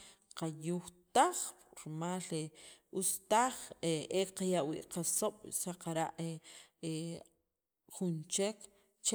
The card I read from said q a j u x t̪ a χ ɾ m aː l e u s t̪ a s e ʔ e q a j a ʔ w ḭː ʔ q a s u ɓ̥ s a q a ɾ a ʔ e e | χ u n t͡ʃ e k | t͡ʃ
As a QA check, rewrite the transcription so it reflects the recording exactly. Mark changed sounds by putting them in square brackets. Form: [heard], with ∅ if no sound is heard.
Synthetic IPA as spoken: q a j u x t̪ a χ ɾ m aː l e u s t̪ a [χ] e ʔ e q a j a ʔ w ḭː ʔ q a s [o] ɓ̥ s a q a ɾ a ʔ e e | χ u n t͡ʃ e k | t͡ʃ